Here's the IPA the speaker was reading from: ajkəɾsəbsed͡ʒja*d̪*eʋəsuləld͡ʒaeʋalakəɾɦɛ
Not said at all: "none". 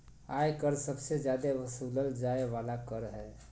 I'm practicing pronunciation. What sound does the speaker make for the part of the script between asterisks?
d̪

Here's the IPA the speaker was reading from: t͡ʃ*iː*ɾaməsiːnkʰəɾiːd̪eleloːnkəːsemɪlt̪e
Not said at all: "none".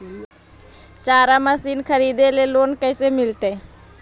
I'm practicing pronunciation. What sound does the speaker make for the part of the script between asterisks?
aː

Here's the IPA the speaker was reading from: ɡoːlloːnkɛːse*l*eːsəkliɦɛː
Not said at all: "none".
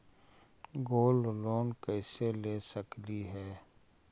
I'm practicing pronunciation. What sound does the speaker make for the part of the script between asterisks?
l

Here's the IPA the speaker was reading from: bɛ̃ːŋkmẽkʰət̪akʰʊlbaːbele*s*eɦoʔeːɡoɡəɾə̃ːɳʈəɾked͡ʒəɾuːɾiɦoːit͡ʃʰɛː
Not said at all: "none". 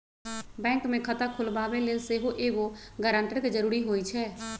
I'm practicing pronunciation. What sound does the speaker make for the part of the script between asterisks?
s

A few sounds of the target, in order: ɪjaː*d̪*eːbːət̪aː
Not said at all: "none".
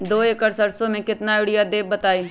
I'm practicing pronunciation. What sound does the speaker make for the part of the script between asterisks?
d̪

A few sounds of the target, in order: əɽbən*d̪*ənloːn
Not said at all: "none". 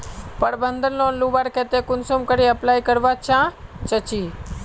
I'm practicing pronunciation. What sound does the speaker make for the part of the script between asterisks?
d̪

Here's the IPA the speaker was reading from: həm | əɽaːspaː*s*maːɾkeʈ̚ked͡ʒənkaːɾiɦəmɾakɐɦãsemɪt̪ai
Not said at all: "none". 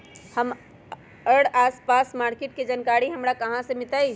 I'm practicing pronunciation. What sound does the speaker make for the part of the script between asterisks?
s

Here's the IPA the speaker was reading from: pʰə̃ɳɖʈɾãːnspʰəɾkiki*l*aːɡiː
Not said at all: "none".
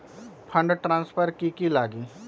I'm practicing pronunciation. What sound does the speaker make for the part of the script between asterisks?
l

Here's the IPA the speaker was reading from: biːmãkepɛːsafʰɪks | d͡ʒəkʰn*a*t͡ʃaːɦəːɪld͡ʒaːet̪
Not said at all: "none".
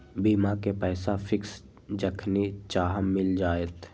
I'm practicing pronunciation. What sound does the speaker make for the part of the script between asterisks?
i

